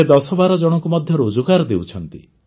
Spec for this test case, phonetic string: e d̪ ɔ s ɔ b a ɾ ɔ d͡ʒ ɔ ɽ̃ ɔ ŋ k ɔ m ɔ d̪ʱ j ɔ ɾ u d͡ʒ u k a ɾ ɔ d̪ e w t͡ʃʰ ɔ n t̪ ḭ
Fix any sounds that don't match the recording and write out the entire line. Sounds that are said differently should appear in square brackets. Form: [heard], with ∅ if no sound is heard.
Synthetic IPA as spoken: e d̪ ɔ s ɔ b a ɾ ɔ d͡ʒ ɔ ɽ̃ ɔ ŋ k [u] m ɔ d̪ʱ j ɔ ɾ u d͡ʒ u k a ɾ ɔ d̪ e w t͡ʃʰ ɔ n t̪ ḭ